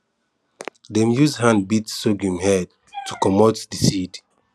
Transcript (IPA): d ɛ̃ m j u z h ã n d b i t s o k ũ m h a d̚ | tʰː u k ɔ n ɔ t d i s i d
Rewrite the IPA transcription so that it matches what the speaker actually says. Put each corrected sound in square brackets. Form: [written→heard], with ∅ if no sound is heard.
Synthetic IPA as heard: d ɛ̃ m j u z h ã n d b i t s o [k→ɡ] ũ m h [a→ɛ] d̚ | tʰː u k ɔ [n→m] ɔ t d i s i d